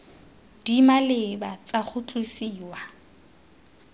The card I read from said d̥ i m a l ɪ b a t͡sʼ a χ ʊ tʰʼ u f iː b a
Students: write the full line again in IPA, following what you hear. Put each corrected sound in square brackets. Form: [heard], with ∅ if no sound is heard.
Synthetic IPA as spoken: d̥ i m a l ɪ b a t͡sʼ a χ ʊ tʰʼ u [s] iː [w] a